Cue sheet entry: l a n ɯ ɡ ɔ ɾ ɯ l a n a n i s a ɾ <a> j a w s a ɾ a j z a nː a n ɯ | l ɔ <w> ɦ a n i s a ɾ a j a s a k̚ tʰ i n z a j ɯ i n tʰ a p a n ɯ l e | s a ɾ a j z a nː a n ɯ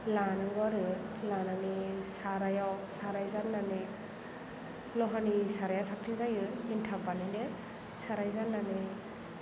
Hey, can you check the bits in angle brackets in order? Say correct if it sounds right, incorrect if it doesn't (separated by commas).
correct, incorrect